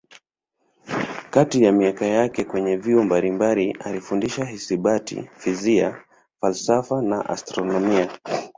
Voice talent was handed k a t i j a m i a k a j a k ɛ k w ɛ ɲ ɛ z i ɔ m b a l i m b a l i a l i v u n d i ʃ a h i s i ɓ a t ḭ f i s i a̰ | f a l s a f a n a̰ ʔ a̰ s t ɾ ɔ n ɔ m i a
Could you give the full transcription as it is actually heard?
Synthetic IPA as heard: k a t i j a m i a k a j a k ɛ k w ɛ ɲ ɛ v i ɔ m b a l i m b a l i a l i f u n d i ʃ a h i s i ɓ a t ḭ f i z i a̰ | f a l s a f a n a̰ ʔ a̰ s t ɾ ɔ n ɔ m i a